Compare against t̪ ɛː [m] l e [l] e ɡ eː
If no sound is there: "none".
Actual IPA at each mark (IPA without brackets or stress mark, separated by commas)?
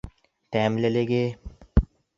m, l